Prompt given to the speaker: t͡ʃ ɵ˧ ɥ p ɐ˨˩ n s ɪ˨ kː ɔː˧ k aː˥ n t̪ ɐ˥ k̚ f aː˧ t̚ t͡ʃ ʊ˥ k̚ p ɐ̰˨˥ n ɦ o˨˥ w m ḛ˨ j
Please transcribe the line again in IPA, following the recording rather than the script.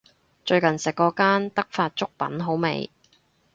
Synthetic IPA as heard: t͡ʃ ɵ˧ ɥ k ɐ˨˩ n s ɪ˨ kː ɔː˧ k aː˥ n t̪ ɐ˥ k̚ f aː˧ t̚ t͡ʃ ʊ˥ k̚ p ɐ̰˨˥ n ɦ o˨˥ w m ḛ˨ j